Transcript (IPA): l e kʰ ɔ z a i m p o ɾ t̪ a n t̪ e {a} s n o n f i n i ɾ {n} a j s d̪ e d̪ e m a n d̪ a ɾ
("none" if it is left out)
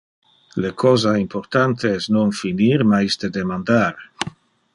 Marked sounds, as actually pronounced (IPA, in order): ɛ, m

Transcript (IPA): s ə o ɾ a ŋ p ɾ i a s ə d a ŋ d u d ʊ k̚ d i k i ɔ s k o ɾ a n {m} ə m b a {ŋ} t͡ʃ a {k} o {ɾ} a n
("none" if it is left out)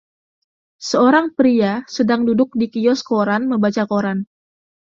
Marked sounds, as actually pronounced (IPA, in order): m, none, k, ɾ

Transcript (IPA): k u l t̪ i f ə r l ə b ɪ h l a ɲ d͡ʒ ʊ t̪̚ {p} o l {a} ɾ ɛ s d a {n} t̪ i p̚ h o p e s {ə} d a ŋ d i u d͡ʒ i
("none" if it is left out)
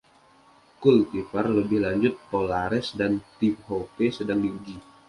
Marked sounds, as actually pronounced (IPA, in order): p, a, n, ə

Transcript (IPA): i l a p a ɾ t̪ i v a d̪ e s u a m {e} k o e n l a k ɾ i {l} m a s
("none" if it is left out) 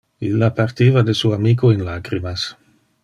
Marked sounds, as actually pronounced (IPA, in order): i, none

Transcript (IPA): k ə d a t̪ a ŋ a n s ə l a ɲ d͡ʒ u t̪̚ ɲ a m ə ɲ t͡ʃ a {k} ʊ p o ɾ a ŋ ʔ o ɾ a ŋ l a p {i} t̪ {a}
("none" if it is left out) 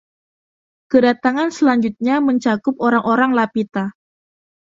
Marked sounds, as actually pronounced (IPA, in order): k, i, a

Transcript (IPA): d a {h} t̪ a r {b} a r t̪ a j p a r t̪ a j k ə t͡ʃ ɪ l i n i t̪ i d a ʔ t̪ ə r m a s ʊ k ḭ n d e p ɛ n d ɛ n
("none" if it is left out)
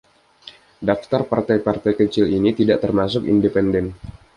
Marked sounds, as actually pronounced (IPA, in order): f, p

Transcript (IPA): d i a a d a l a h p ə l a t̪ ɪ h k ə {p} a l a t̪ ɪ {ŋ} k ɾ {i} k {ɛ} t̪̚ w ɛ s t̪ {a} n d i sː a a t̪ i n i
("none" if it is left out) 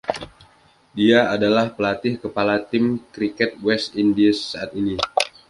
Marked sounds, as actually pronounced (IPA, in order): p, m, i, ɛ, i

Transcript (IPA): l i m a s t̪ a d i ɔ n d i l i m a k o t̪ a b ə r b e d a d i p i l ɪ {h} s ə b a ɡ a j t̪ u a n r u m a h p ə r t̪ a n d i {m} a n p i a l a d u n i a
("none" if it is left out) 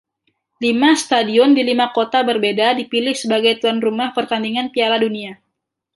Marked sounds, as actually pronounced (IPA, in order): h, ŋ

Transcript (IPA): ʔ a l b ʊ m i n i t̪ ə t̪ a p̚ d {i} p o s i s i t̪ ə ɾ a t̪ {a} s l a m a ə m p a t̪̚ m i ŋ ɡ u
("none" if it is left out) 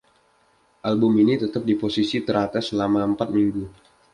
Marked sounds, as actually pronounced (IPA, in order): i, a

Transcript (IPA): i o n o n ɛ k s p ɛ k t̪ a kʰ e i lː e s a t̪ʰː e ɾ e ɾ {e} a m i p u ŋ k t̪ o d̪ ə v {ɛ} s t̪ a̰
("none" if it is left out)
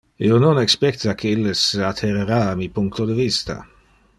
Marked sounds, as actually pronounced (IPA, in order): a, i

